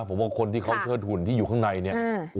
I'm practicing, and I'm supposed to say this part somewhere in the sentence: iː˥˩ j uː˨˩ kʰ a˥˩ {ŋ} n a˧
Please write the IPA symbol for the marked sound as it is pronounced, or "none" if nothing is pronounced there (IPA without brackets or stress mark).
ŋ